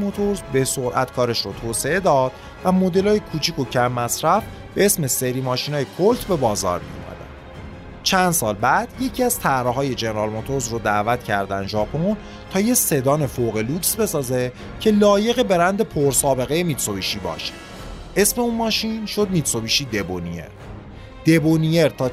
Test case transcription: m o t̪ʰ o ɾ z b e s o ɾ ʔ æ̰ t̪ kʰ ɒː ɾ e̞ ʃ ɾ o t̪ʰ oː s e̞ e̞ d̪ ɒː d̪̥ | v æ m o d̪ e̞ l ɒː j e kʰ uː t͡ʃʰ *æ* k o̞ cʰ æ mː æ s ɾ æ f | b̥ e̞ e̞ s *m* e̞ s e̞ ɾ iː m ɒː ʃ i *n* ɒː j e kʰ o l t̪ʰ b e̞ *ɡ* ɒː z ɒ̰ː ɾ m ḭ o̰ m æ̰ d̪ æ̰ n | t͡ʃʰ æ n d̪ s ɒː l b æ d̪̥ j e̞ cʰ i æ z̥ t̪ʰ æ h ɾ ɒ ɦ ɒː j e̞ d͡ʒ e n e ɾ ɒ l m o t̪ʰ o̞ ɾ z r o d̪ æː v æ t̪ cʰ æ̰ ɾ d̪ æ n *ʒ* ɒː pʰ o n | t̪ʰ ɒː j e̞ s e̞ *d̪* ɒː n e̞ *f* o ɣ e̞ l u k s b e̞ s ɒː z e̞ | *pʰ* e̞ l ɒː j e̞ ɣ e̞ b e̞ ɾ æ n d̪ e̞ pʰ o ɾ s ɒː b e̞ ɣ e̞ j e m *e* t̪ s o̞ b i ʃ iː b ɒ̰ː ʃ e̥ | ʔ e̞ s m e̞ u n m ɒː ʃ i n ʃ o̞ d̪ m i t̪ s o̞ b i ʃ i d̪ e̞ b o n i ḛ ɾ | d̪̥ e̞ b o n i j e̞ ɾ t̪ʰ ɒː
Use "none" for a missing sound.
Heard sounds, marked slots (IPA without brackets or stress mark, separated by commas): i, m, n, b, ʒ, d̪, f, cʰ, i